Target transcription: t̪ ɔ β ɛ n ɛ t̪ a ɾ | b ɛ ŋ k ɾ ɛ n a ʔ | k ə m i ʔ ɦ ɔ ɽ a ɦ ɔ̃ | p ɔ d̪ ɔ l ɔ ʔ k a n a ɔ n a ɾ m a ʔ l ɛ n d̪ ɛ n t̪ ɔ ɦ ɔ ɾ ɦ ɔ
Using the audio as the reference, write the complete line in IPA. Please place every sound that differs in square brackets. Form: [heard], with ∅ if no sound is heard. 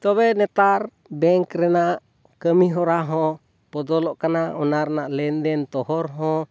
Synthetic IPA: t̪ ɔ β ɛ n ɛ t̪ a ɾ | b ɛ ŋ k ɾ ɛ n a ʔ | k ə m i [∅] ɦ ɔ [ɾ] a ɦ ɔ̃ | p ɔ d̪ ɔ l ɔ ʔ k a n a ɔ n a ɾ [n] a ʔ l ɛ n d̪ ɛ n t̪ ɔ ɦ ɔ ɾ ɦ ɔ

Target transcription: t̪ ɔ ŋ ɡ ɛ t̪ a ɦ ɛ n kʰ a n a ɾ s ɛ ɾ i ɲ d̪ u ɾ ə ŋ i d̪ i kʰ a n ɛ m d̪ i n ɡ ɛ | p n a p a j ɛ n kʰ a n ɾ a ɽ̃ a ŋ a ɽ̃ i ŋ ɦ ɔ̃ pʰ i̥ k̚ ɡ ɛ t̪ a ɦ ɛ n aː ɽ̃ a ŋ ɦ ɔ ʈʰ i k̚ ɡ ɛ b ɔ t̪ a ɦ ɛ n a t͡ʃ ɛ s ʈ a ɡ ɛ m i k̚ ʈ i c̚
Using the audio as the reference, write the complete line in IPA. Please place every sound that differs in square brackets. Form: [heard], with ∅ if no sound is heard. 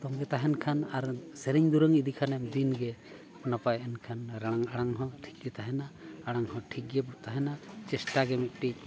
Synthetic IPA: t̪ ɔ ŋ ɡ ɛ t̪ a ɦ ɛ n kʰ a n a ɾ s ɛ ɾ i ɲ d̪ u ɾ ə ŋ i d̪ i kʰ a n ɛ m d̪ i n ɡ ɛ | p n a p a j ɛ n kʰ a n ɾ a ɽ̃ a ŋ a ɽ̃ [a] ŋ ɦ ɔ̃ [ʈʰ] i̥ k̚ ɡ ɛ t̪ a ɦ ɛ n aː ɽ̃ a ŋ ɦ ɔ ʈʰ i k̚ ɡ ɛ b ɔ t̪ a ɦ ɛ n a t͡ʃ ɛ s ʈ a ɡ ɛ m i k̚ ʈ i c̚

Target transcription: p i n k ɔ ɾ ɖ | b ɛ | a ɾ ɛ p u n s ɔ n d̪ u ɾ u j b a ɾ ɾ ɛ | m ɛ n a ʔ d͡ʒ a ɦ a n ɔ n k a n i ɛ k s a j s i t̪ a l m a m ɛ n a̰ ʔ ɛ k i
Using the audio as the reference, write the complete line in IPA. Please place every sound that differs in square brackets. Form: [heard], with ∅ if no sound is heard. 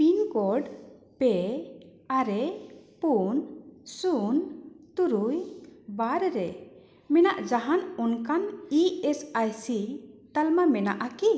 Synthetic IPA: p i n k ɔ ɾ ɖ | [p] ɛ | a ɾ ɛ p u n s [u] n [t̪] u ɾ u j b a ɾ ɾ ɛ | m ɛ n a ʔ d͡ʒ a ɦ a n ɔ n k a n i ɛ [∅] s a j s i t̪ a l m a m ɛ n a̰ ʔ [a] k i

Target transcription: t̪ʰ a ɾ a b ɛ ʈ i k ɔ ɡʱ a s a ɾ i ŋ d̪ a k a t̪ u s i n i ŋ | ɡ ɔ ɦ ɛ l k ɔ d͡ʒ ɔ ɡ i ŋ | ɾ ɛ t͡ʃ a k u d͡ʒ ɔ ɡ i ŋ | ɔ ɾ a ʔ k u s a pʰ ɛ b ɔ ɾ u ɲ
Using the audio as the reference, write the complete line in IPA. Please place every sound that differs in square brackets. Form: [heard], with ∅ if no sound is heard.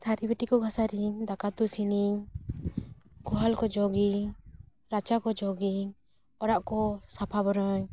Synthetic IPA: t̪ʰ a ɾ [i] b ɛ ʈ i k ɔ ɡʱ a s a ɾ i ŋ d̪ a k a t̪ u s i n i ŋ | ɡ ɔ ɦ [a] l k ɔ d͡ʒ ɔ ɡ i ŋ | ɾ [a] t͡ʃ a k [ɔ] d͡ʒ ɔ ɡ i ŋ | ɔ ɾ a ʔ k [ɔ] s a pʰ [a] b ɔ ɾ [ɔ] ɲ

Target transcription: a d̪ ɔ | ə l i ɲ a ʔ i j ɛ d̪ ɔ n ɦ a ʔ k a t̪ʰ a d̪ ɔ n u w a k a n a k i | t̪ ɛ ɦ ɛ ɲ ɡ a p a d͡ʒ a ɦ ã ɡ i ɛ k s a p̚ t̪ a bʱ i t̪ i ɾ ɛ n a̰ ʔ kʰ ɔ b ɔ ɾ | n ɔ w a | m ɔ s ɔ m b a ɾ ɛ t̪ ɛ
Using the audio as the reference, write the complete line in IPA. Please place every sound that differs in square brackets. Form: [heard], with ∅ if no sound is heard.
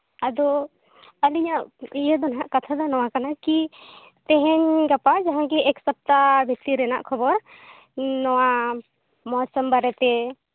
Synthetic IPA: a d̪ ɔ | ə l i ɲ a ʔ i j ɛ d̪ ɔ n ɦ a ʔ k a t̪ʰ a d̪ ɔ n [ɔ] w a k a n a k i | t̪ ɛ ɦ ɛ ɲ ɡ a p a d͡ʒ a ɦ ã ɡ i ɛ k s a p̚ t̪ a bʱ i t̪ i ɾ ɛ n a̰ ʔ kʰ ɔ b ɔ ɾ | n ɔ w a | m ɔ s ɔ m b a ɾ ɛ t̪ ɛ

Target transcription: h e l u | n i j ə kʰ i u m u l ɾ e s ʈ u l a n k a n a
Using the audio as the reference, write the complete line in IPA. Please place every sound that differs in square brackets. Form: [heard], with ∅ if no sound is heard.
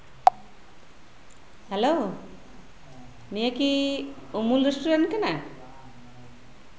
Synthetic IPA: h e l [o] | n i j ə [k] i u m u l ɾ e s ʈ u [ɾ] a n k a n a

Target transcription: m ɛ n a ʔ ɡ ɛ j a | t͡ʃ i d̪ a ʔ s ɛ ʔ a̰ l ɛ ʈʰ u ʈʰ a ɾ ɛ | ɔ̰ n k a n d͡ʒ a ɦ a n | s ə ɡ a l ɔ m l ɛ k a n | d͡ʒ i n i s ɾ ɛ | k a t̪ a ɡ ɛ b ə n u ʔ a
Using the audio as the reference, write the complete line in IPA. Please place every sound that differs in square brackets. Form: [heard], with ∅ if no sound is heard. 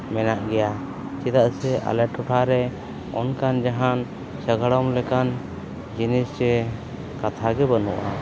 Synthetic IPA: m ɛ n a ʔ ɡ ɛ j a | t͡ʃ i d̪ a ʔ s ɛ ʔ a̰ l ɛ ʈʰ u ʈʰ a ɾ ɛ | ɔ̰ n k a n d͡ʒ a ɦ a n | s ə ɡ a [ɽ] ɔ m l ɛ k a n | d͡ʒ i n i s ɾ ɛ | k a [t̪ʰ] a ɡ ɛ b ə n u ʔ a

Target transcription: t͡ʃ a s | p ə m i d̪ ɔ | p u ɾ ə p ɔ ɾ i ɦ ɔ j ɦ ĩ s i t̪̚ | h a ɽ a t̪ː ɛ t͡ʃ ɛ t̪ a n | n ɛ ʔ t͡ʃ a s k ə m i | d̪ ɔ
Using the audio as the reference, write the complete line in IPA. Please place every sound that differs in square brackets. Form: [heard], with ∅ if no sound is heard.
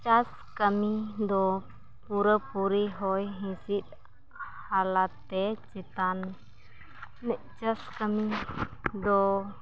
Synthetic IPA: t͡ʃ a s | [k] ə m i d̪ ɔ | p u ɾ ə p [u] ɾ i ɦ ɔ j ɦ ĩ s i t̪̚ | h a [l] a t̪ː ɛ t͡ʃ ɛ t̪ a n | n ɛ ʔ t͡ʃ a s k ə m i | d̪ ɔ

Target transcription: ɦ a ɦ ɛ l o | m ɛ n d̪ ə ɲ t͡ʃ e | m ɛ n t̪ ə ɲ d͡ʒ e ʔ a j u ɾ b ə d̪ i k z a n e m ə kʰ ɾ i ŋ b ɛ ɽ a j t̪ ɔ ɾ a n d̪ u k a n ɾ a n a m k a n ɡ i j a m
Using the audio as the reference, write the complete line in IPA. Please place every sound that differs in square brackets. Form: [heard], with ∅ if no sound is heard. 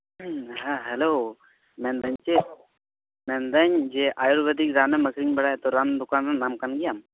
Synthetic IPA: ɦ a ɦ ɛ l o | m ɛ n d̪ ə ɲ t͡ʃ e | m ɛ n [d̪] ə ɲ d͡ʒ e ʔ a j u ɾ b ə d̪ i k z a n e m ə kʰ ɾ i ŋ b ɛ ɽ a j t̪ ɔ ɾ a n d̪ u k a n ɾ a n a m k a n ɡ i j a m

